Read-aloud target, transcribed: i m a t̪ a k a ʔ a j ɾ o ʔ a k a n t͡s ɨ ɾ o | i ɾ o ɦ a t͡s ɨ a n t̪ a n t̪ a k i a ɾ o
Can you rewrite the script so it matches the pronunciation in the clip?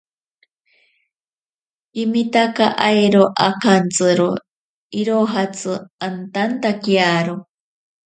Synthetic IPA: i m i t̪ a k a ʔ a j ɾ o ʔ a k a n t͡s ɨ ɾ o | i ɾ o ɦ a t͡s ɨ a n t̪ a n t̪ a k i a ɾ o